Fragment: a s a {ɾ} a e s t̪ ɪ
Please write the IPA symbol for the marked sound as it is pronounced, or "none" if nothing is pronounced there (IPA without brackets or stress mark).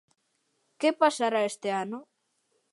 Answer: ɾ